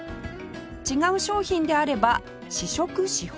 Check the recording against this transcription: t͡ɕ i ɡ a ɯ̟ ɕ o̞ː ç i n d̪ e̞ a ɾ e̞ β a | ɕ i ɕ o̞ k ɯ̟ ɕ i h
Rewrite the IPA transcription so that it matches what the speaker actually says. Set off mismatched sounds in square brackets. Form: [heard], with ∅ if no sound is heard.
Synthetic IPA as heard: t͡ɕ i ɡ a ɯ̟ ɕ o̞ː ç [ĩ] n d̪ e̞ a ɾ e̞ [b] a | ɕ i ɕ o̞ k ɯ̟ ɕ i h